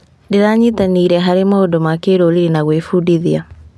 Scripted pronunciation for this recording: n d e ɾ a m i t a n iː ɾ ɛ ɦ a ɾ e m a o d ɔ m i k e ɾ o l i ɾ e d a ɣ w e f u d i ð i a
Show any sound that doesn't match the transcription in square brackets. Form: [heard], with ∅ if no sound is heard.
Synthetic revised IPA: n d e ɾ a [ɲ] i t a n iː ɾ ɛ ɦ a ɾ e m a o d ɔ m [a] k e ɾ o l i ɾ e [n] a ɣ w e f u d i ð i a

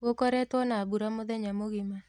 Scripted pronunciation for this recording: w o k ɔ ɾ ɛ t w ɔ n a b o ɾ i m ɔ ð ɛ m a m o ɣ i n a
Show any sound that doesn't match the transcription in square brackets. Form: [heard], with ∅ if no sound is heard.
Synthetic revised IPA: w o k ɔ ɾ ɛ t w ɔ n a b [u] ɾ [a] m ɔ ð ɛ [ɲ] a m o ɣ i [m] a

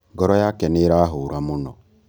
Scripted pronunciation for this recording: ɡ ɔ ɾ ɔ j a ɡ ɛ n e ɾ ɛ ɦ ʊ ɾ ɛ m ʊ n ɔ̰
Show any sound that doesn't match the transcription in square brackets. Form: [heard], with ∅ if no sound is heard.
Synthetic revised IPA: ɡ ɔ ɾ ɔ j a [k] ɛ n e ɾ [a] ɦ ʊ ɾ [a] m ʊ n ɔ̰

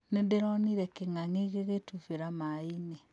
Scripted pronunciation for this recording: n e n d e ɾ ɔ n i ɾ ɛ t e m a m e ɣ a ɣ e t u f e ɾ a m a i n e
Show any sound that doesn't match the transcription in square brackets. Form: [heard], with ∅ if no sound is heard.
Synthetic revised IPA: n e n d e ɾ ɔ n i ɾ ɛ [k] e [ŋ] a [ŋ] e ɣ [e] ɣ e t u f e ɾ a m a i n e

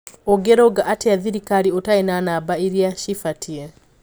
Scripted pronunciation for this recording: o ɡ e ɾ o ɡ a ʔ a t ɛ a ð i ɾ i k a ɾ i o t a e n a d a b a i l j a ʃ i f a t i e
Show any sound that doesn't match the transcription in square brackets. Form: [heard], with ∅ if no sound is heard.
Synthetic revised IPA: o ɡ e ɾ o ɡ a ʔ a t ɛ a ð i ɾ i k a ɾ i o t a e n a [n] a b a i [ɾ] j a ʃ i f a t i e

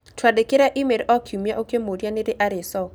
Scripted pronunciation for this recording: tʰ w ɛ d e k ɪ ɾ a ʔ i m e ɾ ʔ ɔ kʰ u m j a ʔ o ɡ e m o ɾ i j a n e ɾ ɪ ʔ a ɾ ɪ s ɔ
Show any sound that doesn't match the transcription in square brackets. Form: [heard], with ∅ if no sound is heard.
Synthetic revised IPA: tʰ w [a] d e k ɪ ɾ a ʔ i m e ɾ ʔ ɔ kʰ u m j a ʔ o [k] e m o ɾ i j a n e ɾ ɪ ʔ a ɾ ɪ s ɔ

